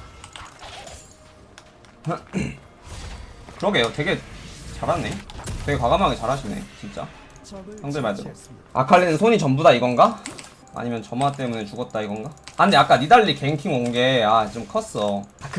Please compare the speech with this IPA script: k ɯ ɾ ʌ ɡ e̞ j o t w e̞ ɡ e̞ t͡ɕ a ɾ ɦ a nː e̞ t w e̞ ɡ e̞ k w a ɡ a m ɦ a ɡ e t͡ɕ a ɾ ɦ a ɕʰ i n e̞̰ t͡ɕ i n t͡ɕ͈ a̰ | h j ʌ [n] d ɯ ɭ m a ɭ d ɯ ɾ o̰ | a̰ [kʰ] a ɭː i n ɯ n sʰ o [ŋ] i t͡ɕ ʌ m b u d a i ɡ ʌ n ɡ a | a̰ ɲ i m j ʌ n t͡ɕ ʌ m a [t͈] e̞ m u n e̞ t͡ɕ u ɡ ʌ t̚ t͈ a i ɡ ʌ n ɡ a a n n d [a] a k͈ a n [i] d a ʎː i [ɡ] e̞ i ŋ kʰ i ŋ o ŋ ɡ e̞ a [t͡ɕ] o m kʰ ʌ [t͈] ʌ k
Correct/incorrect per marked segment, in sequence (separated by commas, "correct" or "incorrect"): incorrect, correct, incorrect, correct, incorrect, correct, incorrect, correct, incorrect